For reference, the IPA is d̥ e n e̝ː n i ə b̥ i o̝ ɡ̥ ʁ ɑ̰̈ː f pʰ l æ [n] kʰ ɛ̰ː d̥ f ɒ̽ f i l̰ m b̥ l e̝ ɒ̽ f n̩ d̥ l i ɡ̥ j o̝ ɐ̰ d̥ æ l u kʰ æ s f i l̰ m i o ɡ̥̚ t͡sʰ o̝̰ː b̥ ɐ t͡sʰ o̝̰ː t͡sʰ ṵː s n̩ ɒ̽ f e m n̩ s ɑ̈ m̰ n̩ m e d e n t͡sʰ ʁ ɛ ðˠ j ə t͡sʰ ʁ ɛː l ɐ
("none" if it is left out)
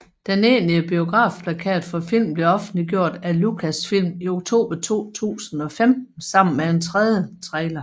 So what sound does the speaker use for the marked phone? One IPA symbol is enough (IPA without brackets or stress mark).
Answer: none